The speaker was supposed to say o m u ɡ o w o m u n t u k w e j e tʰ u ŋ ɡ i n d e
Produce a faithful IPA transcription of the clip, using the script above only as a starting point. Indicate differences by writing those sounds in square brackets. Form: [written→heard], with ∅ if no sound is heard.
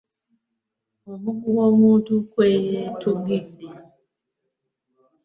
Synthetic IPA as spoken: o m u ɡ [o→u] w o m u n t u k w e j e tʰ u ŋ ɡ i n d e